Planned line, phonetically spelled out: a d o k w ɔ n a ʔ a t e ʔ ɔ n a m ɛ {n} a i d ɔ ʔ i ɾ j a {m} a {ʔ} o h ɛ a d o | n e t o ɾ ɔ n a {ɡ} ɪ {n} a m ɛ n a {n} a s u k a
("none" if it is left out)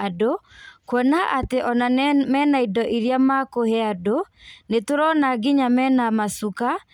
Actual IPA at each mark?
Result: n, m, k, ɡ, ɲ, m

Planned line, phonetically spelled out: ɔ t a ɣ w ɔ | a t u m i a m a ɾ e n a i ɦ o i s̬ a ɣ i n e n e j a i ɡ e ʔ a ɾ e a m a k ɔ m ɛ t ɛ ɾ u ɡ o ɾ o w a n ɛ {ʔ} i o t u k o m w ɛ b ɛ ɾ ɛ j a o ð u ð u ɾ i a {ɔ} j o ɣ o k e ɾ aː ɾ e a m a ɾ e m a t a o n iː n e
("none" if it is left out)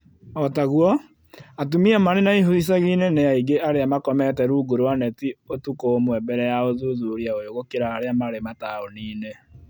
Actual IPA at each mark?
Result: t, o

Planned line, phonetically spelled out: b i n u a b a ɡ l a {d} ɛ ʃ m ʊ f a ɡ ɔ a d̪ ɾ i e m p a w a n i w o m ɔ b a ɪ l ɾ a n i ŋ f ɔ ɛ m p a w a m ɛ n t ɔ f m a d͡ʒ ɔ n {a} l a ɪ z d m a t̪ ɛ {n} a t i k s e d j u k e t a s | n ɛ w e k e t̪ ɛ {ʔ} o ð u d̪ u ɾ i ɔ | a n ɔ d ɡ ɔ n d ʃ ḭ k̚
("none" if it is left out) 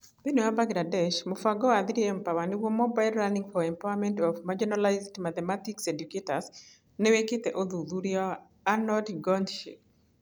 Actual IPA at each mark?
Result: d, a, m, ʔ

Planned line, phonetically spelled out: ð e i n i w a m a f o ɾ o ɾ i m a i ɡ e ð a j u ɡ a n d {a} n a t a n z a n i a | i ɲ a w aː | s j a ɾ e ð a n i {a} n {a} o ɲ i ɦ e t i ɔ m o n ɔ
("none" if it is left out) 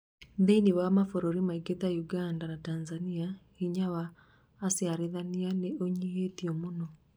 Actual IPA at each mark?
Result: a, a, e

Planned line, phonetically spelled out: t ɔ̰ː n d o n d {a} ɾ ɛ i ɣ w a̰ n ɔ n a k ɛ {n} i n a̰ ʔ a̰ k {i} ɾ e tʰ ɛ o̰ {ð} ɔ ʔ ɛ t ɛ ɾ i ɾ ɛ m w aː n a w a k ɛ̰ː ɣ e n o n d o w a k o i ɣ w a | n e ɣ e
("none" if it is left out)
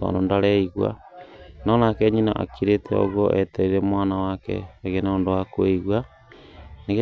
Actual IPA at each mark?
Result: a, ɲ, i, ɣ

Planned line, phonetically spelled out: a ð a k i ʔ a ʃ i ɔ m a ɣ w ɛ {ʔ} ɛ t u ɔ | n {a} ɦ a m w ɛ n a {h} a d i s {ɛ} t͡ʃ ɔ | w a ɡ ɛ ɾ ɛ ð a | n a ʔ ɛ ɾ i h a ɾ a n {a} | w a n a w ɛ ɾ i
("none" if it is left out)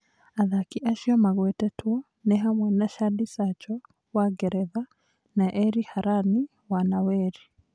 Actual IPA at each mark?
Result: t, ɛ, ʃ, a, i

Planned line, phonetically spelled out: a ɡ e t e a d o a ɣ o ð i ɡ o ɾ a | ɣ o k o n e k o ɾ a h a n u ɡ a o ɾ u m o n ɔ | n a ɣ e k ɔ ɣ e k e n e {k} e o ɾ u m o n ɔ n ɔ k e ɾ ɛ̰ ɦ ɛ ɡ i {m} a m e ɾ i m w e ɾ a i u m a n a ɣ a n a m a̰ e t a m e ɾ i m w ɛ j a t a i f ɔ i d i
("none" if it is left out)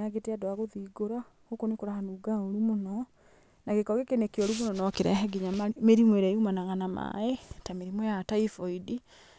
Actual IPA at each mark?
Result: k, ɲ

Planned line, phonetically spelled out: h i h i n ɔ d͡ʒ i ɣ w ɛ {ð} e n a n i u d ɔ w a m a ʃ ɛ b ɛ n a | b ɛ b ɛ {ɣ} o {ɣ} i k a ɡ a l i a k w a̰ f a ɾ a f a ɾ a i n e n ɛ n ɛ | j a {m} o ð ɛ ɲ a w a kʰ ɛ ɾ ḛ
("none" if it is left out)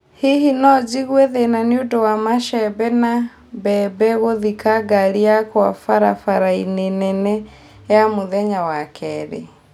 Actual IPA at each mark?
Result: ð, ɣ, ð, m

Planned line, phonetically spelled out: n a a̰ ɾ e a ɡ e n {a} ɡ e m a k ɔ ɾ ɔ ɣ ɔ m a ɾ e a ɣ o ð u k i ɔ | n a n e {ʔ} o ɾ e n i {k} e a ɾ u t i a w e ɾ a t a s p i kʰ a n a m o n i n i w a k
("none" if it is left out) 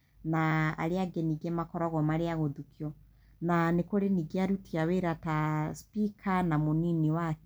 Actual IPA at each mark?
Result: i, k, ɡ

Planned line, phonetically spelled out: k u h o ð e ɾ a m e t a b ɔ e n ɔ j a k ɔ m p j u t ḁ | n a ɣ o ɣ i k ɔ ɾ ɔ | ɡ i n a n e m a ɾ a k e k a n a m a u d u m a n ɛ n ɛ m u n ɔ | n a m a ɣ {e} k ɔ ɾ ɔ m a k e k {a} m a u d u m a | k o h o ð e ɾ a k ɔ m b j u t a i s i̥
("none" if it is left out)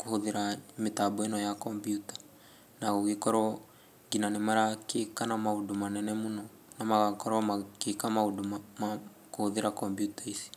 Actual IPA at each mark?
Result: a, a

